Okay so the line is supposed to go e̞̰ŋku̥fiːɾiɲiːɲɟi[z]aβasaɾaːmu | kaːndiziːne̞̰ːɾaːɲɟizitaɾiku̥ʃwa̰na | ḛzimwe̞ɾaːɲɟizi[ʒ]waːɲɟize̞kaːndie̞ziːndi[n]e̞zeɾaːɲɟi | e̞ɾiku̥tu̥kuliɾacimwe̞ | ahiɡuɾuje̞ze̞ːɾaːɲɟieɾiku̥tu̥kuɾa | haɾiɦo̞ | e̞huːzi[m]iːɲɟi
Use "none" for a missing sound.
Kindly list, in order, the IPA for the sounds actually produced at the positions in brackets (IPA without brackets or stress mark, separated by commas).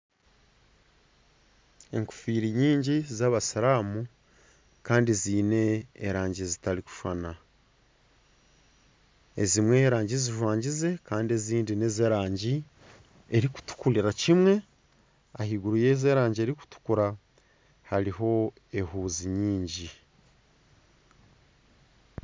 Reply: z, ʒ, n, ɲ